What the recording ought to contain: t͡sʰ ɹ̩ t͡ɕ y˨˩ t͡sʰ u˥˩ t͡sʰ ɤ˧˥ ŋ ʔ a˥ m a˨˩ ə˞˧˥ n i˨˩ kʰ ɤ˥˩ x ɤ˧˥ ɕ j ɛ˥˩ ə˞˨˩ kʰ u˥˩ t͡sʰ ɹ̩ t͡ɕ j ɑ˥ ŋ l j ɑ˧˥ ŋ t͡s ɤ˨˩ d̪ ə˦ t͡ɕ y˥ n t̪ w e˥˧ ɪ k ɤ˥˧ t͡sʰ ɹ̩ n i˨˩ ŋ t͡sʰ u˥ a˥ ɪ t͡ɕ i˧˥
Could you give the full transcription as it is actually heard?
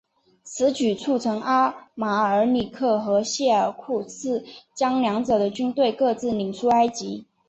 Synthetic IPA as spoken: t͡sʰ ɹ̩ t͡ɕ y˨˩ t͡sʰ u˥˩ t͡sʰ ɤ˧˥ ŋ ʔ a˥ m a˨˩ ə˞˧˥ n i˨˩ kʰ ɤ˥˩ x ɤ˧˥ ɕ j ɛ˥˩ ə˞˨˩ kʰ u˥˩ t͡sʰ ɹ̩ t͡ɕ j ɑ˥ ŋ l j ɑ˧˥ ŋ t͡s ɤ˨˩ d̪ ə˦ t͡ɕ y˥ n t̪ w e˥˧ ɪ k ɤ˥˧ t͡s ɹ̩ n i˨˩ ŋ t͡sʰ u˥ a˥ ɪ t͡ɕ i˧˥